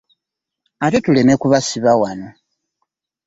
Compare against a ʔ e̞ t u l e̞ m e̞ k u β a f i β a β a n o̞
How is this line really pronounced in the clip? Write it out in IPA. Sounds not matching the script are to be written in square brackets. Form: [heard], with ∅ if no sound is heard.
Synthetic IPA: a [t] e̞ t u l e̞ m e̞ k u β a [s] i β a [w] a n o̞